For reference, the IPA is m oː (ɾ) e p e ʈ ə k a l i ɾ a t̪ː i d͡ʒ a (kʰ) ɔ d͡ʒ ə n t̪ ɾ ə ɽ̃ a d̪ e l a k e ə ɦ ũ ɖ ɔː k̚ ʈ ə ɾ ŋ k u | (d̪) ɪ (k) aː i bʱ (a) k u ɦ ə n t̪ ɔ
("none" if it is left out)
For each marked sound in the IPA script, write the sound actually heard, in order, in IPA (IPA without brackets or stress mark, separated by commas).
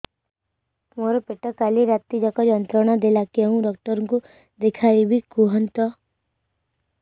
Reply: ɾ, k, d̪, kʰ, i